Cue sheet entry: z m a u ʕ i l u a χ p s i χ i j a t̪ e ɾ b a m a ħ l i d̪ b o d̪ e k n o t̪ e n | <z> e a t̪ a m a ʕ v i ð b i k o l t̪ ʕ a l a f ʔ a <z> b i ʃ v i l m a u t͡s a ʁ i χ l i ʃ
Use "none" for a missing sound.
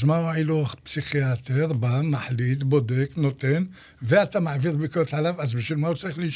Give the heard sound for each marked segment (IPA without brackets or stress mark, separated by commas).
v, z